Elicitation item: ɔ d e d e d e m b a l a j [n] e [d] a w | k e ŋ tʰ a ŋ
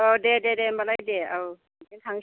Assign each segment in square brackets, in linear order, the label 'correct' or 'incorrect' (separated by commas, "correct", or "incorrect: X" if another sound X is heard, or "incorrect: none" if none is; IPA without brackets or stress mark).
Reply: incorrect: d, incorrect: none